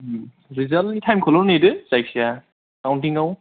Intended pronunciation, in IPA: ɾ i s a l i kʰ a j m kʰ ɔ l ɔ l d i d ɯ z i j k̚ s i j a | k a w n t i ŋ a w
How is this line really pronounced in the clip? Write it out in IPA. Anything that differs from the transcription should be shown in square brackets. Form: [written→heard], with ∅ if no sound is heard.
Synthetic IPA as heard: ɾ i [s→z] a l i [kʰ→tʰ] a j m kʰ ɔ l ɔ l [d→n] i d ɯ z [i→a] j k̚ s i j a | k a w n t i ŋ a w